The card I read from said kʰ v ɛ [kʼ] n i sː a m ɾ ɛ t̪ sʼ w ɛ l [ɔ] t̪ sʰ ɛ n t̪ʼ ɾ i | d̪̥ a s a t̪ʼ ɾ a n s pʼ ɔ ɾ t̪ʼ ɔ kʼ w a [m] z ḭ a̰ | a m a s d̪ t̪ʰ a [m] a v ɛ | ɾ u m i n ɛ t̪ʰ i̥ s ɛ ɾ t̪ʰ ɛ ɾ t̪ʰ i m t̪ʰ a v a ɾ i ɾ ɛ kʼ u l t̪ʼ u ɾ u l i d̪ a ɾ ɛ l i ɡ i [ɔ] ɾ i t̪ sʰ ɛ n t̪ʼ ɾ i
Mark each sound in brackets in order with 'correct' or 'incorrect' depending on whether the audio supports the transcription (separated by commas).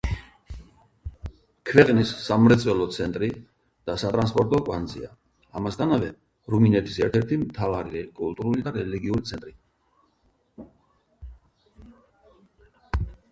incorrect, correct, incorrect, incorrect, incorrect